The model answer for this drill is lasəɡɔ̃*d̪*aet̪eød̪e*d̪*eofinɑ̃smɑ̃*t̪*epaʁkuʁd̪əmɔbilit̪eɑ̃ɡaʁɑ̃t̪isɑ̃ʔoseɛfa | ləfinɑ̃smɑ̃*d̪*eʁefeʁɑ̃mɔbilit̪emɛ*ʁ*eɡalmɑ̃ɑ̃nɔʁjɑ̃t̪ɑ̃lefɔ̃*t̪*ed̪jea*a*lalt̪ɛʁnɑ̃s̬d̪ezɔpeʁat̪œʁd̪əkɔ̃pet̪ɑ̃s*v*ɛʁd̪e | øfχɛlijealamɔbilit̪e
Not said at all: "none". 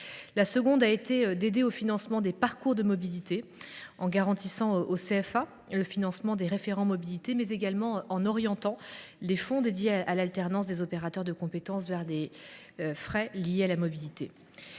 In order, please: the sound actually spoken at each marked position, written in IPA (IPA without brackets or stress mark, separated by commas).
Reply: d̪, d̪, d̪, d̪, z, d̪, a, v